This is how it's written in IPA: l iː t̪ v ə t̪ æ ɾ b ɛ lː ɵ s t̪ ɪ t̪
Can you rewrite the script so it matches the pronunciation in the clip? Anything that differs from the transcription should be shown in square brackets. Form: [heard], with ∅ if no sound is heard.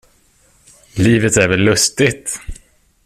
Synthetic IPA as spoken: l iː [∅] v ə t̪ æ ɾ [v] ɛ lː ɵ s t̪ ɪ t̪

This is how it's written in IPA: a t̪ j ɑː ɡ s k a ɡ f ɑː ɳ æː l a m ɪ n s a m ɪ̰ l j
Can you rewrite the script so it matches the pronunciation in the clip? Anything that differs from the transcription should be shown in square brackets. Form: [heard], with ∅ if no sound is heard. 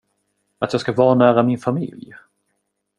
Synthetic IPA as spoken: a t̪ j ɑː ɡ s k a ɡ [v] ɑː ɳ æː [ɾ] a m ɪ n [f] a m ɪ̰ l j

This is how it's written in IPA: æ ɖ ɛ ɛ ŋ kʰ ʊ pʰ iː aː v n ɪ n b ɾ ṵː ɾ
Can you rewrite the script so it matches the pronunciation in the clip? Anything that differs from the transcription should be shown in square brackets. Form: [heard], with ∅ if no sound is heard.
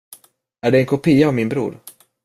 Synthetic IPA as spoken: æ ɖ ɛ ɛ [n] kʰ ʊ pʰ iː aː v [m] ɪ n b ɾ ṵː ɾ

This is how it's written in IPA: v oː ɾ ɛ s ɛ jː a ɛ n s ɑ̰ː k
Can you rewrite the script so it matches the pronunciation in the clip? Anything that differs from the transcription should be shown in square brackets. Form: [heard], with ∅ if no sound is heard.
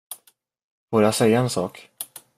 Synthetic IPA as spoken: [f] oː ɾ [a] s ɛ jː a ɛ n s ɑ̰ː k

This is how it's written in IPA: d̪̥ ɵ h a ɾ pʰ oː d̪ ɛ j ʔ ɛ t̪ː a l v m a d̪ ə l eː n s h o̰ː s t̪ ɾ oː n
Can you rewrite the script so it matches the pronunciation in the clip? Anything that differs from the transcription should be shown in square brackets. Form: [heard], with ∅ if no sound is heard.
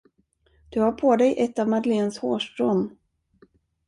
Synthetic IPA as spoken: d̪̥ ɵ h a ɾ pʰ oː d̪ ɛ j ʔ ɛ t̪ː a [∅] v m a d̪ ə l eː n s h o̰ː [ʂ] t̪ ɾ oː n

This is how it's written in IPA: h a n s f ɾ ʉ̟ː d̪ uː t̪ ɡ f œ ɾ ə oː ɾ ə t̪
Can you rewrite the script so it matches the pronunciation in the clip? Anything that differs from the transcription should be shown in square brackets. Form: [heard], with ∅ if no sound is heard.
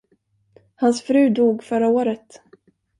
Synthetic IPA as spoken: h a n s f ɾ ʉ̟ː d̪ uː [∅] ɡ f œ ɾ [a] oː ɾ ə t̪

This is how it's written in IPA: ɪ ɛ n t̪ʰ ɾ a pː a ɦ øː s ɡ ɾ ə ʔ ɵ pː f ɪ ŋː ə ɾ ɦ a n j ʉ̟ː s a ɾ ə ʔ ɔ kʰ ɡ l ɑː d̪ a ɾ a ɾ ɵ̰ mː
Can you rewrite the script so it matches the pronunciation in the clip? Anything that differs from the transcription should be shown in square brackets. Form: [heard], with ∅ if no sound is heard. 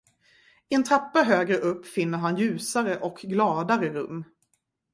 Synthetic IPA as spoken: ɪ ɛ n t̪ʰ ɾ a pː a ɦ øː [∅] ɡ ɾ ə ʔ ɵ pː f ɪ [nː] ə ɾ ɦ a n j ʉ̟ː s a ɾ ə ʔ ɔ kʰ ɡ l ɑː d̪ a ɾ [ə] ɾ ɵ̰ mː

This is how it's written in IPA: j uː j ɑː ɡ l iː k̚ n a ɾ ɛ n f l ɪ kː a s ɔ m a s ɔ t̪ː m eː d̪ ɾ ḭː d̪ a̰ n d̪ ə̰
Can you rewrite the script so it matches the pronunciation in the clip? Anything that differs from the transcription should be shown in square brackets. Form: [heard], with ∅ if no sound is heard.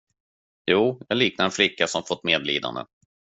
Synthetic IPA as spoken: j uː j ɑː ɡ l iː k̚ n a ɾ ɛ n f l ɪ kː a s ɔ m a [f] ɔ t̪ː m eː d̪ [l] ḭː d̪ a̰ n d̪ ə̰

